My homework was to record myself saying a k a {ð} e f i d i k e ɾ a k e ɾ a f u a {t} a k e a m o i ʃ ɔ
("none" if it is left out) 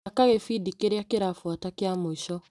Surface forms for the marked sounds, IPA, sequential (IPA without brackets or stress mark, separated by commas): ɣ, t